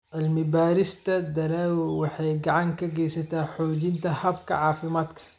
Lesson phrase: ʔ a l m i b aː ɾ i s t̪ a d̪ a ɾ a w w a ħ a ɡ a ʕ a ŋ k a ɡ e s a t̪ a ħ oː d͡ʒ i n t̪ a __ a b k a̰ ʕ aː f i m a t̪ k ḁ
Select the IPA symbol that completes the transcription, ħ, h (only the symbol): h